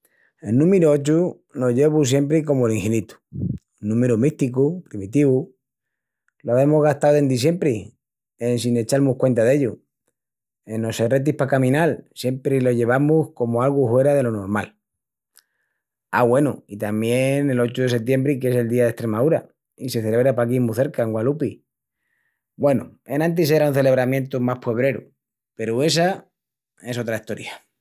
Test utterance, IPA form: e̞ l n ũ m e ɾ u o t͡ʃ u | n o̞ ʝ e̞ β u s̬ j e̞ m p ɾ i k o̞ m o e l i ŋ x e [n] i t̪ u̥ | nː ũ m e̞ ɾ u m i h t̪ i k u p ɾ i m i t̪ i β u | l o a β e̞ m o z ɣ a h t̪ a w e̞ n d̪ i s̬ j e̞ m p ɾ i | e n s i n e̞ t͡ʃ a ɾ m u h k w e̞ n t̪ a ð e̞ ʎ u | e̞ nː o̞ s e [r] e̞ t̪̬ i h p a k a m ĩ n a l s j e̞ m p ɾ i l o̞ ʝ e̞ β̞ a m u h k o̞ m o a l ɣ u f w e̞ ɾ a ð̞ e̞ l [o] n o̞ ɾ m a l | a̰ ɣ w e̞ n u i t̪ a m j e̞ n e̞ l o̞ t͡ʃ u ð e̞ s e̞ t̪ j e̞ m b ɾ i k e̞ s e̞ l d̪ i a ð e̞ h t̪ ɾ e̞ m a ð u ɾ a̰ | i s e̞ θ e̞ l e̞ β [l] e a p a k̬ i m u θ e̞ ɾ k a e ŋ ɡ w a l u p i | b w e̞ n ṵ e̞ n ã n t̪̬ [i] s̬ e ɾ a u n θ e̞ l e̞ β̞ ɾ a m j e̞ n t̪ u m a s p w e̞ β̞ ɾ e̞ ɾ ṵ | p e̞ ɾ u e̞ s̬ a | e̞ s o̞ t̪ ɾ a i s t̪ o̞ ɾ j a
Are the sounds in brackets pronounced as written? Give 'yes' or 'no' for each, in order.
yes, yes, yes, no, yes

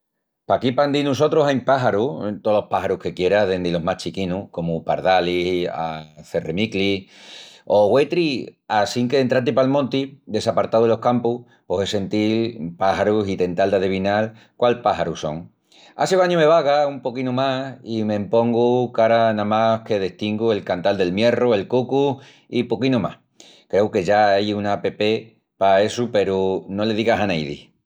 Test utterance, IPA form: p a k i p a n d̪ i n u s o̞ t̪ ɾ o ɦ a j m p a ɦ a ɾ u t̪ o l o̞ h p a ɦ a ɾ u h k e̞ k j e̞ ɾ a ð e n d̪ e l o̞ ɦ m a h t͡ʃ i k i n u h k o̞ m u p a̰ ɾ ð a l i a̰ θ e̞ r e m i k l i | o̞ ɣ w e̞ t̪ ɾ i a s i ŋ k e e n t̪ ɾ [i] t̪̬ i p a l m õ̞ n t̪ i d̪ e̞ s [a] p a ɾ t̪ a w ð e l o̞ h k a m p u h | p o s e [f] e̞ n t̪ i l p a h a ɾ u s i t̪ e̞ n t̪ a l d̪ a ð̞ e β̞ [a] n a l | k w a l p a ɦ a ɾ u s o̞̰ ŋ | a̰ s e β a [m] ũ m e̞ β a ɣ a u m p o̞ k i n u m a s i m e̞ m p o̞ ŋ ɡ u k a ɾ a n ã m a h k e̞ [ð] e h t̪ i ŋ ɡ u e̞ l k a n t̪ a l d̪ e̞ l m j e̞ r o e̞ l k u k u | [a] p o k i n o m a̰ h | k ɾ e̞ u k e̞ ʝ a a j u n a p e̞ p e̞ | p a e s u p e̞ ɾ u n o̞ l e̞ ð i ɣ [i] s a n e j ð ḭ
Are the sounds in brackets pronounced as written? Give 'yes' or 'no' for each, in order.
no, yes, no, no, no, yes, no, no

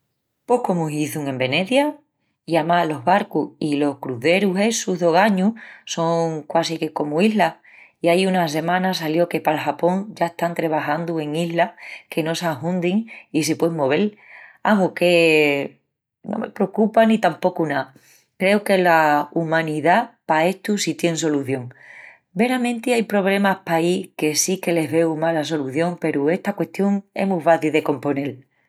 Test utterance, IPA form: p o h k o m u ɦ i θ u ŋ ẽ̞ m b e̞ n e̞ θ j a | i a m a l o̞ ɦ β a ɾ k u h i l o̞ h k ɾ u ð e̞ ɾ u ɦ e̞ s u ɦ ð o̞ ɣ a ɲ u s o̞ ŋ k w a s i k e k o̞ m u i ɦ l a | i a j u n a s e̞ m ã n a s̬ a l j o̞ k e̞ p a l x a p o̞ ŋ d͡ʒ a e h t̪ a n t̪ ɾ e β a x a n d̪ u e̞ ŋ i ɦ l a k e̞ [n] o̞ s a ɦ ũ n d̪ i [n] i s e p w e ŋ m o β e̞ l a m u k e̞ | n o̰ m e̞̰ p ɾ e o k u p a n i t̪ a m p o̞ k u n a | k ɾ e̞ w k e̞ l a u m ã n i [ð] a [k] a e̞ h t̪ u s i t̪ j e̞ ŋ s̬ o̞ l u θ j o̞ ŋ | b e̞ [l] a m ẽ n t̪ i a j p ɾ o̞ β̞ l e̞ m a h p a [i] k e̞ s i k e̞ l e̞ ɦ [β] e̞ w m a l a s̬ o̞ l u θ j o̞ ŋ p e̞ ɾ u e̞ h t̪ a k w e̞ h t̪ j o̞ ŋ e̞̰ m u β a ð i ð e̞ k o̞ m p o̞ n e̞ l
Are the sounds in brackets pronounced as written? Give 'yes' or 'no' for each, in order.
yes, no, yes, no, no, yes, yes

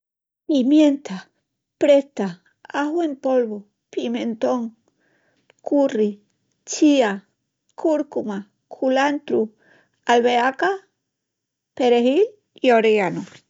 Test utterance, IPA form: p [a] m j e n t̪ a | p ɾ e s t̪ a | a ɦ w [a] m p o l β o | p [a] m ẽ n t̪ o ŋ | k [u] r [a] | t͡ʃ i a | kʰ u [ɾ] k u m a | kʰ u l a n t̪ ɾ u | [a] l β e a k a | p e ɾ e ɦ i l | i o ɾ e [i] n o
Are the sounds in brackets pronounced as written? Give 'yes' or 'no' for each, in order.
no, no, no, yes, no, yes, yes, no

